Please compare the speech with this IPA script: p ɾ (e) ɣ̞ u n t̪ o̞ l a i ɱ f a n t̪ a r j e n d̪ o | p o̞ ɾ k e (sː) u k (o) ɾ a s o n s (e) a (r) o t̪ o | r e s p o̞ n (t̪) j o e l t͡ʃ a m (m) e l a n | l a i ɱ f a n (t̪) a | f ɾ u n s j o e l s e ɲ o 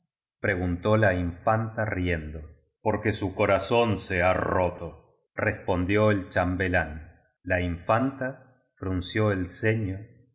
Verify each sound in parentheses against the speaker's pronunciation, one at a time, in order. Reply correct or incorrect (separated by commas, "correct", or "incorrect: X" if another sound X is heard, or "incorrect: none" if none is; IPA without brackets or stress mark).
correct, incorrect: s, correct, correct, correct, incorrect: d̪, incorrect: b, correct